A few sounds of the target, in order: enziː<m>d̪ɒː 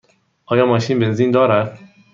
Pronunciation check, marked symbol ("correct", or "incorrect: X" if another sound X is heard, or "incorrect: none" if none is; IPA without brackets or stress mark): incorrect: n